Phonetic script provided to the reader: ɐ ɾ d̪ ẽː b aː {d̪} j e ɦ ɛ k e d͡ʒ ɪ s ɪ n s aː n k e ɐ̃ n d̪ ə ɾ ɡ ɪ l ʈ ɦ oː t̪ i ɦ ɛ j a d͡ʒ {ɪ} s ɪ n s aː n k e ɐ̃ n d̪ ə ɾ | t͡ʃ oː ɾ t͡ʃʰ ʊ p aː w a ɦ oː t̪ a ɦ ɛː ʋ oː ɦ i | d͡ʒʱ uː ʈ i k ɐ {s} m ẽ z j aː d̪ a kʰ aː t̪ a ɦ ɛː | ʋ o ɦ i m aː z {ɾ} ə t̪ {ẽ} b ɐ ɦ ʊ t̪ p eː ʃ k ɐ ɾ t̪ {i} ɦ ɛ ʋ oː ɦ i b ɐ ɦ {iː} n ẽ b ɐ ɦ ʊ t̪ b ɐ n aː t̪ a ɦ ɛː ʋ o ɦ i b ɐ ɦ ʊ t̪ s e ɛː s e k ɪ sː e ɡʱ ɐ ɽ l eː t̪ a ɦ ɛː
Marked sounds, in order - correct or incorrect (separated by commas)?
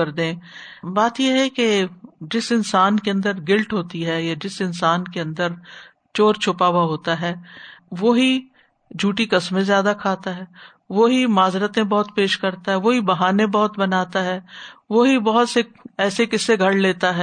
incorrect, correct, correct, correct, correct, incorrect, incorrect